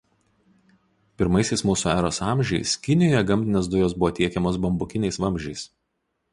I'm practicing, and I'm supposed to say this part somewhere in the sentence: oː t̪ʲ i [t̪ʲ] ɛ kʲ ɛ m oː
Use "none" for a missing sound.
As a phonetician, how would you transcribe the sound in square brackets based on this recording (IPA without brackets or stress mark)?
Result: none